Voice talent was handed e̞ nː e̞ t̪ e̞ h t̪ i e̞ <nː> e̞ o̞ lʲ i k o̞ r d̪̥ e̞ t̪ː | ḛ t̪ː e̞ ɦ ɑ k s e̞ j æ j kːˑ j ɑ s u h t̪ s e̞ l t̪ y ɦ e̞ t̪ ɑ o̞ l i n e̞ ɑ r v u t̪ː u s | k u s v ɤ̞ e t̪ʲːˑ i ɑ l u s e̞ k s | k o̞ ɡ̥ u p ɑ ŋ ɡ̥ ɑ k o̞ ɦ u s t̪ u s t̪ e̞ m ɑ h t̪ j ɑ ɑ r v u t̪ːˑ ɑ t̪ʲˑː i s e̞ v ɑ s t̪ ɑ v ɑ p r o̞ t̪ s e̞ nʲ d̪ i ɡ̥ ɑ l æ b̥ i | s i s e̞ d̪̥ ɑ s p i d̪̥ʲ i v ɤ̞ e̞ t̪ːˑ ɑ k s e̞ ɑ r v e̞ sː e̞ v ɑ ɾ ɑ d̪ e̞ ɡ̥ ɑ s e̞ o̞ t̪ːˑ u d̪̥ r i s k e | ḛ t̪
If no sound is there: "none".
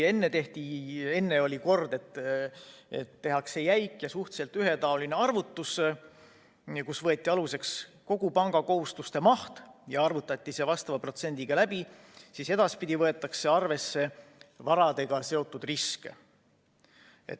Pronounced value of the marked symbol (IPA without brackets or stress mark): nː